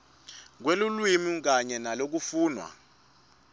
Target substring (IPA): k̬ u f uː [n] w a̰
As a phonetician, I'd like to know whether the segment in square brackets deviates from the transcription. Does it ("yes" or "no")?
no